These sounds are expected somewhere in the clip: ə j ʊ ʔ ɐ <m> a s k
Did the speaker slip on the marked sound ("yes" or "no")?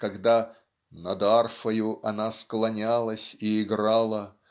yes